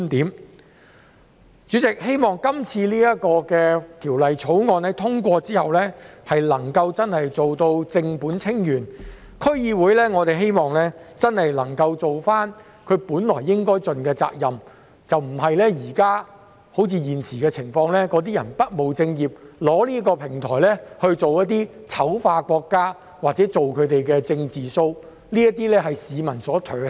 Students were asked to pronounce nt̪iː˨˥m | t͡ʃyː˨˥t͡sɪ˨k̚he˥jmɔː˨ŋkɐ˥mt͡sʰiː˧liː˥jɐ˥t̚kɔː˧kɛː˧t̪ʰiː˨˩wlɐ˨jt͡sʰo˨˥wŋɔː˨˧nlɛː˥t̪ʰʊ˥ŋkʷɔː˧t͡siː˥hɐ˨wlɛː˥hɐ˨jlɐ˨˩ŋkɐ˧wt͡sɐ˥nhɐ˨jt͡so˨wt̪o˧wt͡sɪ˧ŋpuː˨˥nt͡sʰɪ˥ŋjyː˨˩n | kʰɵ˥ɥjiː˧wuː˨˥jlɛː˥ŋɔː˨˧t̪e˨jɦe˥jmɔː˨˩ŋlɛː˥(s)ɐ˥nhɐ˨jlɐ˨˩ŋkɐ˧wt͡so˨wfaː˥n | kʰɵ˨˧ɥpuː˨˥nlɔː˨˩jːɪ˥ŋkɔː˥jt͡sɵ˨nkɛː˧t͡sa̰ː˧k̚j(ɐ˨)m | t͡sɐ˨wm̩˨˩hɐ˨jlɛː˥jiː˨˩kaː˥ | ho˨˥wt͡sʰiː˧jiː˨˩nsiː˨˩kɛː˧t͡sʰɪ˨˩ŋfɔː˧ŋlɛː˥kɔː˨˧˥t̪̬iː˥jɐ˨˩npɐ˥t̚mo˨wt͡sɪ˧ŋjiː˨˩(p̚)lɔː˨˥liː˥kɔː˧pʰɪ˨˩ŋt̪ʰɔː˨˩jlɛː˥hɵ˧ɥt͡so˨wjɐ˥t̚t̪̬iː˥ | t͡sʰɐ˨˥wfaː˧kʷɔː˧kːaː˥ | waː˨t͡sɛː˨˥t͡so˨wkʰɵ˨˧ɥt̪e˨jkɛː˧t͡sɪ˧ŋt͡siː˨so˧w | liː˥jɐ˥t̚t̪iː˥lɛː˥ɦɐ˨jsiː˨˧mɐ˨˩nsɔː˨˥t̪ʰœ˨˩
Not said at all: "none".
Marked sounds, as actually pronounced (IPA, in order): t͡s, ɐ˨, p̚

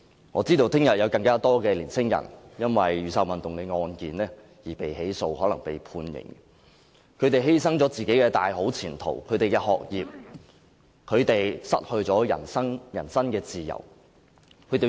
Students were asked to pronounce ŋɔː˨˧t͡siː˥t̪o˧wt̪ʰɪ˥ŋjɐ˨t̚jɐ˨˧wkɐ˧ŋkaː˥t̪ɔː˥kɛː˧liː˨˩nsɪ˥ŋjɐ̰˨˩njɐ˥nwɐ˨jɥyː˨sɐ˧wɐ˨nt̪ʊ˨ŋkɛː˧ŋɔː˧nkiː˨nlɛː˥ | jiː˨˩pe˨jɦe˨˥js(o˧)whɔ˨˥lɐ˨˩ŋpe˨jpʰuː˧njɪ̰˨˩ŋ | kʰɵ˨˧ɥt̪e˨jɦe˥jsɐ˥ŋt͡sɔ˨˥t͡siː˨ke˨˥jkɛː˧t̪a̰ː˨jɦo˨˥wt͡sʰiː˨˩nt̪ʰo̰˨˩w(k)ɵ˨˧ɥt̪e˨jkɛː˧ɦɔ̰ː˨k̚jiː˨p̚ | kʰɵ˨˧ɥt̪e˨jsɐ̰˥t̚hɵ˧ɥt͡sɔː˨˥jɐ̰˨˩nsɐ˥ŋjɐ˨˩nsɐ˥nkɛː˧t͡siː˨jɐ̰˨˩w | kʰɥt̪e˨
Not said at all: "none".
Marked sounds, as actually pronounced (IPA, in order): o˧, kʰ

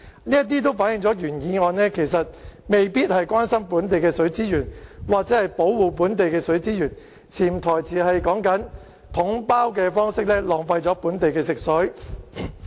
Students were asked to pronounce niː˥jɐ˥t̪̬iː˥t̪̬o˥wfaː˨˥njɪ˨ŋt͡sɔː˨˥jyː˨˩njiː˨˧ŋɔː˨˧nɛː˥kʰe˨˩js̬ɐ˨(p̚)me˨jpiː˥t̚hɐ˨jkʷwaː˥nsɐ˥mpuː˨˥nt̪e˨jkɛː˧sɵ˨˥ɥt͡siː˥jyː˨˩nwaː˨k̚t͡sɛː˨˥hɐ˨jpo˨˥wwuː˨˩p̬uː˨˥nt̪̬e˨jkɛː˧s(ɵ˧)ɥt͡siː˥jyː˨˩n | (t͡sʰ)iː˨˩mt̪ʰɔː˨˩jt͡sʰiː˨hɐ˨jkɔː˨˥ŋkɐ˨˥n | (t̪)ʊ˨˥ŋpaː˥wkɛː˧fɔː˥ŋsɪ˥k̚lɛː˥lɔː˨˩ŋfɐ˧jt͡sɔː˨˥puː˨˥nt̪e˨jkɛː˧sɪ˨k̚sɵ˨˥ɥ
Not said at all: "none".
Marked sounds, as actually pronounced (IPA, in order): t̚, ɵ˨˥, t͡sʰ, t̪ʰ

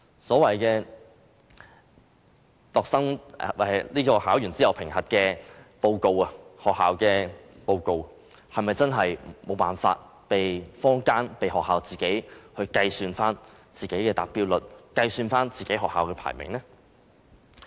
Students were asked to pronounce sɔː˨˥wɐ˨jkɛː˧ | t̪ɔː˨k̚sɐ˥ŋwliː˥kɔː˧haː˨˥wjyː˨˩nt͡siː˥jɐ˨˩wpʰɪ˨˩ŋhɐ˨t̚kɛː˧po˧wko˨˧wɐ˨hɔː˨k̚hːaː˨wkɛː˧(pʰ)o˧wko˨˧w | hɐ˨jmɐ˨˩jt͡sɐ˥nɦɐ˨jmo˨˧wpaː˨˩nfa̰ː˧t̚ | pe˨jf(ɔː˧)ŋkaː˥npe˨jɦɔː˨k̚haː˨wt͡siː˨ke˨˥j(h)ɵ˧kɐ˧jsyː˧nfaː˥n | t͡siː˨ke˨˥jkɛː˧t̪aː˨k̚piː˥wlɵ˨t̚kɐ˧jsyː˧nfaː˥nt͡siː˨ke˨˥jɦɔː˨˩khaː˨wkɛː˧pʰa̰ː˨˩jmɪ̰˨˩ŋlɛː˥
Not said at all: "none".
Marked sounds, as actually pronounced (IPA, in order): p, ɔː˥, h

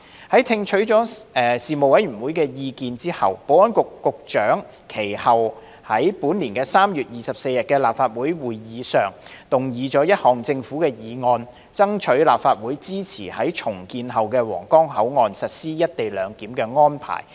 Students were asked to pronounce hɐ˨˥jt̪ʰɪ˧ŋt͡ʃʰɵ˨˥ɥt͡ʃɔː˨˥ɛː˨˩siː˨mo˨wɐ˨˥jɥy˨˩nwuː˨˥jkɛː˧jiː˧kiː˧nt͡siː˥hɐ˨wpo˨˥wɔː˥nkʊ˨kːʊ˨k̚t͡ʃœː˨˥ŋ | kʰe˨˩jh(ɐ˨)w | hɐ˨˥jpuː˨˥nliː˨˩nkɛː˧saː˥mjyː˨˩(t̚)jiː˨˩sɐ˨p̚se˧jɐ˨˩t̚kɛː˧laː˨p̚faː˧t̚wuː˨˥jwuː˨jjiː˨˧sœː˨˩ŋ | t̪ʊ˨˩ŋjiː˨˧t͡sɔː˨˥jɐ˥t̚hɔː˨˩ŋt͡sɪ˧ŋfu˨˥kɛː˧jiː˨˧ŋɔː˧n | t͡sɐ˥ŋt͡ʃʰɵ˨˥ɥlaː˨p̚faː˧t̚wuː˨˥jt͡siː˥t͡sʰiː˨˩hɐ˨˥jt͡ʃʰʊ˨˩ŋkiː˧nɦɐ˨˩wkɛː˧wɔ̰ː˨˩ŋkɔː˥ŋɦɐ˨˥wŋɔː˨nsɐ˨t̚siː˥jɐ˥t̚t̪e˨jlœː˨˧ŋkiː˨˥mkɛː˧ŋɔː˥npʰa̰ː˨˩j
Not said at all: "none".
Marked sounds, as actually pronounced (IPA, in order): ɐ˨, t̚

